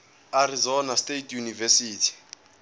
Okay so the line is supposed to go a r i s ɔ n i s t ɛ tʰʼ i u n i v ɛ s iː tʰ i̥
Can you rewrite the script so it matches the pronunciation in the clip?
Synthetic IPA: a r i z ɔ n a s t e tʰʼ j u n i v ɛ s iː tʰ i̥